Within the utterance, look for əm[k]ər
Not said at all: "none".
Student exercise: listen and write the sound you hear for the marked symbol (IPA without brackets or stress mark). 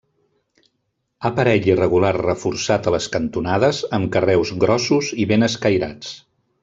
k